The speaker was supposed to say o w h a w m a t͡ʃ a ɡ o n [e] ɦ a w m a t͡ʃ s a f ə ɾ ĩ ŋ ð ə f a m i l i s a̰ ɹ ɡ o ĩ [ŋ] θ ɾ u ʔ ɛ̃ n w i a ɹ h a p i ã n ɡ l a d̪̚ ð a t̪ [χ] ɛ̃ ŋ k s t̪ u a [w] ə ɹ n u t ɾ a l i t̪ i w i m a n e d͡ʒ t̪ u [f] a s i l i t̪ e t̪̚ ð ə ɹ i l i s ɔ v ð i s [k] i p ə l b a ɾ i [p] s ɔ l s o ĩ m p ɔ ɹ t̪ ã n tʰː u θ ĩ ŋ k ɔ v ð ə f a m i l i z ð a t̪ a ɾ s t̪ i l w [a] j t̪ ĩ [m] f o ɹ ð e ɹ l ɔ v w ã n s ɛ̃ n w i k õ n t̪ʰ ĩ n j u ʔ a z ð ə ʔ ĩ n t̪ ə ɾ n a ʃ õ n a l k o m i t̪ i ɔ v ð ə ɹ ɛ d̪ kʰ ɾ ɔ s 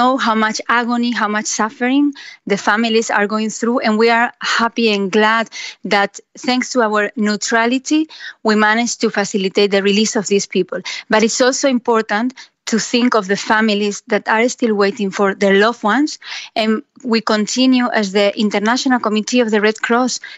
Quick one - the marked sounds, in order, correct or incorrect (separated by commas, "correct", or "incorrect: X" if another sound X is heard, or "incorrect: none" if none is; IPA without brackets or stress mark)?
incorrect: i, correct, incorrect: θ, correct, correct, incorrect: p, incorrect: t, incorrect: e, incorrect: ŋ